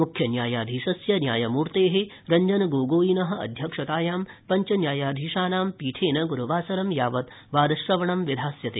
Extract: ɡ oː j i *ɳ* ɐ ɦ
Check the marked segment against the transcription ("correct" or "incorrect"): incorrect